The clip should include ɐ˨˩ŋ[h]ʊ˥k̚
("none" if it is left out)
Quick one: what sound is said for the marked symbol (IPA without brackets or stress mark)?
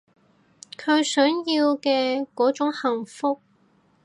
f